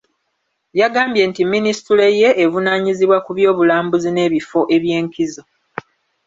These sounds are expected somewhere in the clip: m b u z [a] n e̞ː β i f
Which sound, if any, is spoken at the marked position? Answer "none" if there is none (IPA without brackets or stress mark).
i